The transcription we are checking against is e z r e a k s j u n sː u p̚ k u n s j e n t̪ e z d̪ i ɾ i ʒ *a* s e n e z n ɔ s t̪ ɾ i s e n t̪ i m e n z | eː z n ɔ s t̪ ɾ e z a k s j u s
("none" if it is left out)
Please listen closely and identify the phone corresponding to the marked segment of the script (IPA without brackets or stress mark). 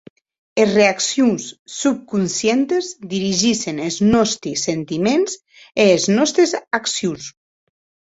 i